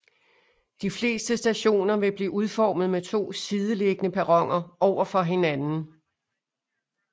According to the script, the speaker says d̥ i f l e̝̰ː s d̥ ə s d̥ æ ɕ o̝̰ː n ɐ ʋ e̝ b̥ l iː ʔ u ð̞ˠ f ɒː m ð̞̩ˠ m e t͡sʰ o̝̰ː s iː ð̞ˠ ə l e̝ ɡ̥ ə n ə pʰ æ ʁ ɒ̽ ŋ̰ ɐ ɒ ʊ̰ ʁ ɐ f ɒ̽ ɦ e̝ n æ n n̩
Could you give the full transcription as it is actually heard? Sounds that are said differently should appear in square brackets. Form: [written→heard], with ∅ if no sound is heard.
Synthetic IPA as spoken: d̥ i f l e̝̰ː s d̥ ə s d̥ æ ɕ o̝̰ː n ɐ ʋ e̝ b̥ l iː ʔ u ð̞ˠ f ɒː m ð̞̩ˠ m e t͡sʰ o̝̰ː s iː ð̞ˠ ə l e̝ ɡ̥ ə n ə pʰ æ ʁ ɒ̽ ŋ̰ ɐ ɒ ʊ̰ [ʁ→∅] ɐ f ɒ̽ ɦ e̝ n æ n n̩